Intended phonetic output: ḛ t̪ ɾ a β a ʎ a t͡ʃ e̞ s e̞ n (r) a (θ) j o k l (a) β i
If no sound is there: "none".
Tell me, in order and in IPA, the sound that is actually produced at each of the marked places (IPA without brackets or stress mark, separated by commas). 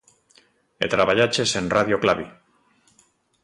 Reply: r, ð, a